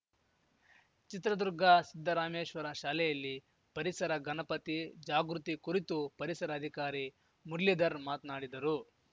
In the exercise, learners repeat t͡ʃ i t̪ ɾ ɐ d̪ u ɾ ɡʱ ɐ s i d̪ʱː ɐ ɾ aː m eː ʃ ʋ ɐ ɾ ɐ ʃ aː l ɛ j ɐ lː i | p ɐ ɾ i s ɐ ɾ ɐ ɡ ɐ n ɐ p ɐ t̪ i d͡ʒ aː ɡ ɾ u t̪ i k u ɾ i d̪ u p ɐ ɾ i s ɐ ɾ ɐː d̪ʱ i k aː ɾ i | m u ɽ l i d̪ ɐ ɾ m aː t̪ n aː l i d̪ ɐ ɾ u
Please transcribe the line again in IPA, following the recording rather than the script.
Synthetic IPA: t͡ʃ i t̪ ɾ ɐ d̪ u ɾ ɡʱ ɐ s i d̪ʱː ɐ ɾ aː m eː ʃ ʋ ɐ ɾ ɐ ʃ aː l ɛ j ɐ lː i | p ɐ ɾ i s ɐ ɾ ɐ ɡ ɐ n ɐ p ɐ t̪ i d͡ʒ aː ɡ ɾ u t̪ i k u ɾ i t̪ u p ɐ ɾ i s ɐ ɾ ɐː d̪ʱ i k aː ɾ i | m u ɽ l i d̪ ɐ ɾ m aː t̪ n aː ɽ i d̪ ɐ ɾ u